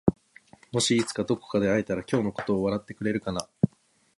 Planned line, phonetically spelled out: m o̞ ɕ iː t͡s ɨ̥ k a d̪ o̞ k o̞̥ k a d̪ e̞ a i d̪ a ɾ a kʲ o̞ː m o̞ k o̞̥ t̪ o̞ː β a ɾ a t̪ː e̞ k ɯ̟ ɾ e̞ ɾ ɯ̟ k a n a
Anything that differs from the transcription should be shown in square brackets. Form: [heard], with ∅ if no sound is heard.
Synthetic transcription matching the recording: m o̞ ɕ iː t͡s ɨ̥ k a d̪ o̞ k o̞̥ k a d̪ e̞ a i [t̪] a ɾ a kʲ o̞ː [n] o̞ k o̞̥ t̪ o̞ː β a ɾ a t̪ː e̞ k ɯ̟ ɾ e̞ ɾ ɯ̟ k a n a